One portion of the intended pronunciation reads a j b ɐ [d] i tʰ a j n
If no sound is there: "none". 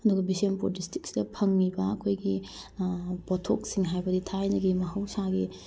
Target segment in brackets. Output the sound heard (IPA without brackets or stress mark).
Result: d